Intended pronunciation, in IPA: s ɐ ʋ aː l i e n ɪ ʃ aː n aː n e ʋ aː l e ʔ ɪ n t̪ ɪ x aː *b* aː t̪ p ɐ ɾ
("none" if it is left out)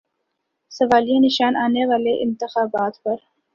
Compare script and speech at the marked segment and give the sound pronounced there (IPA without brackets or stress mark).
b